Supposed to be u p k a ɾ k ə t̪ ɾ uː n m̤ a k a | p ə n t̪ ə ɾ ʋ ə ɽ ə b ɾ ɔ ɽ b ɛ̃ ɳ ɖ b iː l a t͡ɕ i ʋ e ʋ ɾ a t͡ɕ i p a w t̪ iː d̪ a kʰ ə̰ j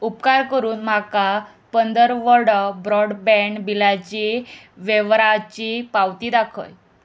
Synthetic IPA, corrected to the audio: u p k a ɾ k ə ɾ uː n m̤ a k a | p ə n d̪ ə ɾ ʋ ə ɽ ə b ɾ ɔ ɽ b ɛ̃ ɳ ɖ b i l a t͡ɕ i ʋ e ʋ ɾ a t͡ɕ i p a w t̪ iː d̪ a kʰ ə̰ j